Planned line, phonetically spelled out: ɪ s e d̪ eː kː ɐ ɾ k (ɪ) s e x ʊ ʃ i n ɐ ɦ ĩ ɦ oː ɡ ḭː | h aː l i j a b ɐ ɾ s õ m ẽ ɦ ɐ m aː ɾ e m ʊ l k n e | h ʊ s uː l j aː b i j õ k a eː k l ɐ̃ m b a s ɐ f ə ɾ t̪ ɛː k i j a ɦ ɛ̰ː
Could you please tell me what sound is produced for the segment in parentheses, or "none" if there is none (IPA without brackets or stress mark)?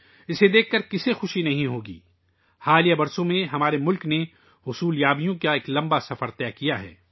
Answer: ɪ